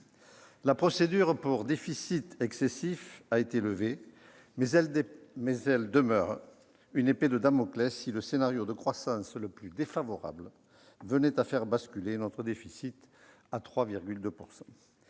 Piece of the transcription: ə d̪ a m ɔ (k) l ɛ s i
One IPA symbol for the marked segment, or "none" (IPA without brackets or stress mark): k